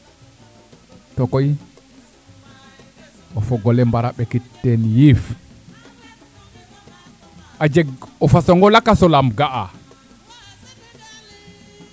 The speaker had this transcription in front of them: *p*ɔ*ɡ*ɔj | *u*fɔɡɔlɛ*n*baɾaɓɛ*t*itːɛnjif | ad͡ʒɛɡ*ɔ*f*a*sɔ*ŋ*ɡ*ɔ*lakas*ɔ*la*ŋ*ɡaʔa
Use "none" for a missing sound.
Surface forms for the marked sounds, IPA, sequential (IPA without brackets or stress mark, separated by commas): t, k, ɔ, m, k, ɔ, a, ŋ, ɔ, ɔ, m